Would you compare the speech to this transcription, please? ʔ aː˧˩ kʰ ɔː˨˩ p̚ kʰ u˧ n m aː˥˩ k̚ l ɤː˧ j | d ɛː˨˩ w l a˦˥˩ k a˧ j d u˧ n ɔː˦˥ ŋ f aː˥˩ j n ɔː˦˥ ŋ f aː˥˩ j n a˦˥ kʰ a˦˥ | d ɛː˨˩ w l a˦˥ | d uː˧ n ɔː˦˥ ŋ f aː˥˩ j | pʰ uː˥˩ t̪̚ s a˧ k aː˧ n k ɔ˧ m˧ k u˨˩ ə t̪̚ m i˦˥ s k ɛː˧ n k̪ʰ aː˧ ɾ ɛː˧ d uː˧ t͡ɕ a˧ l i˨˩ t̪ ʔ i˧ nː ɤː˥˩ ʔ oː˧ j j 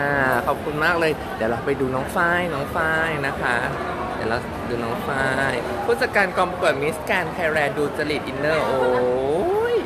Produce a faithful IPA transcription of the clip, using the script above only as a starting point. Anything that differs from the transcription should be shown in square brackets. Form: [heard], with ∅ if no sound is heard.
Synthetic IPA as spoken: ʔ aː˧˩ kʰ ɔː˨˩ p̚ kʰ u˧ n m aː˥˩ k̚ l ɤː˧ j | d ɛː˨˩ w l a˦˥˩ [p] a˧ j d [uː˧] n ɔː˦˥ ŋ f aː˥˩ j n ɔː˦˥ ŋ f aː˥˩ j n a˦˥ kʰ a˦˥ | d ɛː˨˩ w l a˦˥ | d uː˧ n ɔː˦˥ ŋ f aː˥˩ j | pʰ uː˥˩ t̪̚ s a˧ k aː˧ n k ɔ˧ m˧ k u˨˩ ə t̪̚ m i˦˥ s k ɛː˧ n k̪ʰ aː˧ ɾ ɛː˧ d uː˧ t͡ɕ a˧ l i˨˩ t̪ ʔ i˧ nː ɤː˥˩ ʔ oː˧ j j